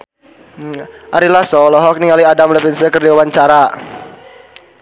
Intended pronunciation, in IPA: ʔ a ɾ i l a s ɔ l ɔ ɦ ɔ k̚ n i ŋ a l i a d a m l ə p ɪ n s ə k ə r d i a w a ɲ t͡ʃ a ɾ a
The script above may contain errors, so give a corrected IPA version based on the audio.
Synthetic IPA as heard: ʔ a ɾ i l a s ɔ l ɔ ɦ ɔ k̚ n i ŋ a l i a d a m l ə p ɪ n s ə k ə r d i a w a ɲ t͡ʃ a ɾ a